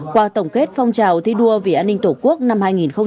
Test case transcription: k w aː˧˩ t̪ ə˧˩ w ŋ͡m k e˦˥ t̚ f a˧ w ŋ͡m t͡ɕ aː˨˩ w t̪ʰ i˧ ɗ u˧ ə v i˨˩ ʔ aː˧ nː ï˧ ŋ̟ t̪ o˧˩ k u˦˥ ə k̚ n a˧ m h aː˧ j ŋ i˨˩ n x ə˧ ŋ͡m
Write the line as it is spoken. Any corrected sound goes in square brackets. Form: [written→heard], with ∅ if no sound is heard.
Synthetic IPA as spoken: k w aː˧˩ t̪ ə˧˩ w ŋ͡m k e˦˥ t̚ f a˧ w ŋ͡m t͡ɕ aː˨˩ w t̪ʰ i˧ ɗ u˧ ə v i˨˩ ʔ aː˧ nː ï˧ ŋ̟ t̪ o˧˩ k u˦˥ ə k̚ n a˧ m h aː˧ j ŋ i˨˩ n x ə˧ ŋ͡m